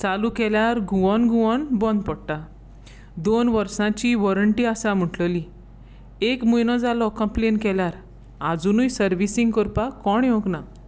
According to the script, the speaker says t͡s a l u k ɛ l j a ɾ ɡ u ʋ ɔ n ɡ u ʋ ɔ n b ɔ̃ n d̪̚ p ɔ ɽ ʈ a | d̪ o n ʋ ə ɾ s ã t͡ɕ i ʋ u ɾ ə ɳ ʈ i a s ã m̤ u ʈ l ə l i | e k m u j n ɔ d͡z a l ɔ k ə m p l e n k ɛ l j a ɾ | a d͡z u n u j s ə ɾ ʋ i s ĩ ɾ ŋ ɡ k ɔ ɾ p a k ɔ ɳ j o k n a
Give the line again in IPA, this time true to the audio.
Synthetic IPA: t͡s a l u k ɛ l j a ɾ ɡ u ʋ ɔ n ɡ u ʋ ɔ n b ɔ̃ n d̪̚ p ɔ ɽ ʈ a | d̪ o n ʋ ə ɾ s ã t͡ɕ i ʋ ɔ ɾ ə ɳ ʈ i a s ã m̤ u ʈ l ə l i | e k m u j n ɔ d͡z a l ɔ k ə m p l e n k ɛ l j a ɾ | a d͡z u n u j s ə ɾ ʋ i s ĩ ŋ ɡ k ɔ ɾ p a k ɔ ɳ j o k n a